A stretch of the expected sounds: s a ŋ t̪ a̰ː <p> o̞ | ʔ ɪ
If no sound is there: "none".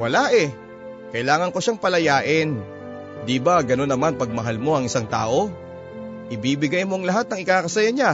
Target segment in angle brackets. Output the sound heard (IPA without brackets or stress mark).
ʔ